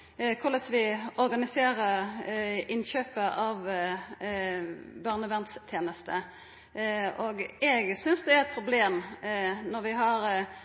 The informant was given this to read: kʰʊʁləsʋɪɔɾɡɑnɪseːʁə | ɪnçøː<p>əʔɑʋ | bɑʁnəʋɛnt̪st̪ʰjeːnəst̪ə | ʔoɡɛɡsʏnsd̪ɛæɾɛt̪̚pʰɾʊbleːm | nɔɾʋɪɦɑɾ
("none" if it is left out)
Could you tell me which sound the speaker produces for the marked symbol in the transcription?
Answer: p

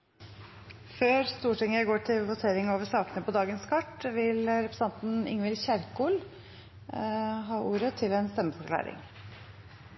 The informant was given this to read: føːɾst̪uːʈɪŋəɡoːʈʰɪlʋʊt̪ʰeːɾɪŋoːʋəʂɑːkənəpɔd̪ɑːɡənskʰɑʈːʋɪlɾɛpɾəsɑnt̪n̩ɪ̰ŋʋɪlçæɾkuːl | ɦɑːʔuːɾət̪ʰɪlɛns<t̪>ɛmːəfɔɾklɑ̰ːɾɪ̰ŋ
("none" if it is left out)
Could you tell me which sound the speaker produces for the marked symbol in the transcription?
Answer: t̪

